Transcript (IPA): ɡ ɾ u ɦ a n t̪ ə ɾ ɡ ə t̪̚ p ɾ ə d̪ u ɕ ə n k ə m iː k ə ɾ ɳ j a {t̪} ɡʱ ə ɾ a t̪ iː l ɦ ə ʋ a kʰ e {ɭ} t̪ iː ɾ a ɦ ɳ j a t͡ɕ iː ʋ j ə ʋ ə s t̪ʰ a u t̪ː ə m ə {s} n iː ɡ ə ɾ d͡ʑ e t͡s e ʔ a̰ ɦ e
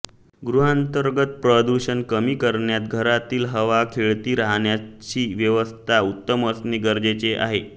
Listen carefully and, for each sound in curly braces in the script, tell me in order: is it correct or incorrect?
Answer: correct, correct, correct

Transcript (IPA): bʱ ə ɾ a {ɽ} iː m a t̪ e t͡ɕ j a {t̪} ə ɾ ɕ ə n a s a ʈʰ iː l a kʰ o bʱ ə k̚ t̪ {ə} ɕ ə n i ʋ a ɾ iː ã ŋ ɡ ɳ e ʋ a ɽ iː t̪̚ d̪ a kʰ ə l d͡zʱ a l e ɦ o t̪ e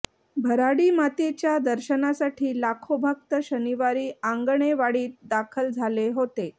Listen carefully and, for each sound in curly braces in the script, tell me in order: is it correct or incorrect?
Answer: correct, incorrect: d̪, correct

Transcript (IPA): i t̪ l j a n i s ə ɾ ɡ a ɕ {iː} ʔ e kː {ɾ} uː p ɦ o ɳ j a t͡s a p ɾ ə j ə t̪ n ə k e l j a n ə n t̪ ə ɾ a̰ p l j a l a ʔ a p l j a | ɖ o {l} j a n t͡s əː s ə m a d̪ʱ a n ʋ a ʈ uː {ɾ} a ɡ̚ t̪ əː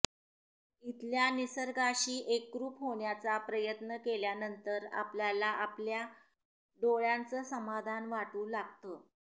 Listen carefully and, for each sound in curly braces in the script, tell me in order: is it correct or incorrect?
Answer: correct, correct, incorrect: ɭ, incorrect: l

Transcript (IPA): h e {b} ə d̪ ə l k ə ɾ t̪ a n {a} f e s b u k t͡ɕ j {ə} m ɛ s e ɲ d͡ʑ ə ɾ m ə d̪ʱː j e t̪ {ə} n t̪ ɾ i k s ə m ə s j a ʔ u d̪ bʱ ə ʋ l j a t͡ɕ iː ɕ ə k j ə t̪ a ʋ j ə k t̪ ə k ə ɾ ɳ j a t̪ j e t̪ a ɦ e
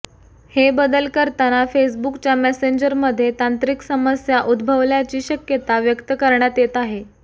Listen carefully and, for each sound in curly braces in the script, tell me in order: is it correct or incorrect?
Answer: correct, correct, incorrect: a, incorrect: a

